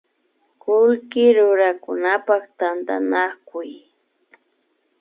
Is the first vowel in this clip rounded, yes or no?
yes